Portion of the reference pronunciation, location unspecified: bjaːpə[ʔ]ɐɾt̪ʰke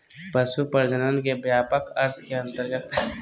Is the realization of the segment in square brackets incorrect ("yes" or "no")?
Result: yes